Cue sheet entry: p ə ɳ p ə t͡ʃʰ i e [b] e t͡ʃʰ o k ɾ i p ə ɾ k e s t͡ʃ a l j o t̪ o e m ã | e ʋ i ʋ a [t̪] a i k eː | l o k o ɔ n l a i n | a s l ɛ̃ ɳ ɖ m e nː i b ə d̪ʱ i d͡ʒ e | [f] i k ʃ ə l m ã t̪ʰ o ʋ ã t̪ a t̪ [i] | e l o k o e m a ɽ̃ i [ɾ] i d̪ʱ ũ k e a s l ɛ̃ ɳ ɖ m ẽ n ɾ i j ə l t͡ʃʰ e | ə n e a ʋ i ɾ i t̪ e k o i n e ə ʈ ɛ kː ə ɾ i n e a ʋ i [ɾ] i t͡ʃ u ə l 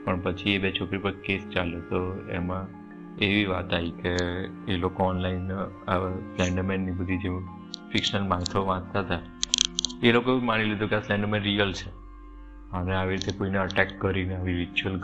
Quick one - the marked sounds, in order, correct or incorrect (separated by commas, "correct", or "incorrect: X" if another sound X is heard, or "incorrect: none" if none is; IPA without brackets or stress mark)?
correct, correct, correct, incorrect: a, incorrect: l, correct